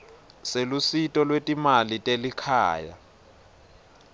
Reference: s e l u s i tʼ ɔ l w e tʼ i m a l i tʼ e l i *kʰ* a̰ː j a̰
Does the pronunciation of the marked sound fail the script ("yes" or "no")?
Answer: no